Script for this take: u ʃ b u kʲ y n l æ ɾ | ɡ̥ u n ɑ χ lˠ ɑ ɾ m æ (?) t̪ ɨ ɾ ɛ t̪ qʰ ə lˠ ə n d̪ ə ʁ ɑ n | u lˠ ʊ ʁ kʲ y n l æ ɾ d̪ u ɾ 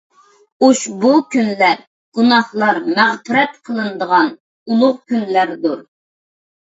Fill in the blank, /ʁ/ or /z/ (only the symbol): ʁ